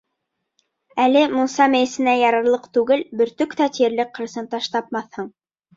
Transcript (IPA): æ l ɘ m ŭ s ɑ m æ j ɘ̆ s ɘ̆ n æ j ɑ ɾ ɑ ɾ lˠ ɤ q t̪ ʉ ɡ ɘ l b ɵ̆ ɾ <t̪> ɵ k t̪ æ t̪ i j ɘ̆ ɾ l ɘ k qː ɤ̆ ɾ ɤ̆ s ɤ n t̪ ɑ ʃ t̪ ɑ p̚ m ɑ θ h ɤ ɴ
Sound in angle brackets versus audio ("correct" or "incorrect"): correct